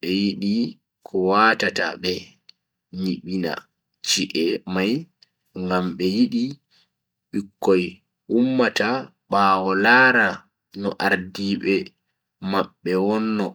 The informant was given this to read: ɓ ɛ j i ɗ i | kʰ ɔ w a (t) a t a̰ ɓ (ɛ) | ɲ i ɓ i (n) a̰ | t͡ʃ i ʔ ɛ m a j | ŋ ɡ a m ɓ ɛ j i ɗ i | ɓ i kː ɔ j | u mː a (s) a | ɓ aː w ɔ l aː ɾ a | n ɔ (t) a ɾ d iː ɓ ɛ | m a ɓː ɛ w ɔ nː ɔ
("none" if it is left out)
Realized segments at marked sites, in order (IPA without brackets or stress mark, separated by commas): t, ɛ, n, t, ʔ